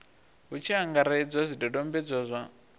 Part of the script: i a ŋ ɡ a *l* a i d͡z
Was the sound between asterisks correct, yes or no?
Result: no